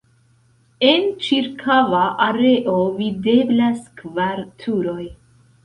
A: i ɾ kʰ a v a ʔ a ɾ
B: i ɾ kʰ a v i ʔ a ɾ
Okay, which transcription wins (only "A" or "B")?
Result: A